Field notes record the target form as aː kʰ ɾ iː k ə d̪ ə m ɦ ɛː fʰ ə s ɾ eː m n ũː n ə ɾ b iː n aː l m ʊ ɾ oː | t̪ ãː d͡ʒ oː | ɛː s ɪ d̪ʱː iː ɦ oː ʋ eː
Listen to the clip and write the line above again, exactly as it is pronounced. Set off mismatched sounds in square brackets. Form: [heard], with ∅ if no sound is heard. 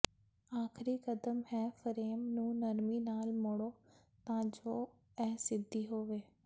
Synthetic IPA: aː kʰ ɾ iː k ə d̪ ə m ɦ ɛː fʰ ə [∅] ɾ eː m n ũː n ə ɾ [m] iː n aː l m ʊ [ɽ] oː | t̪ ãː d͡ʒ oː | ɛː s ɪ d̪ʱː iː ɦ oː ʋ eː